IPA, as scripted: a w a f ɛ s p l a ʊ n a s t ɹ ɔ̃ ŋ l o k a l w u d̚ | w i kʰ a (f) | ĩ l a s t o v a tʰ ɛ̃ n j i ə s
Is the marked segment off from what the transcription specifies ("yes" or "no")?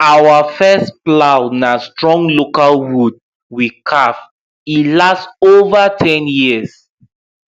no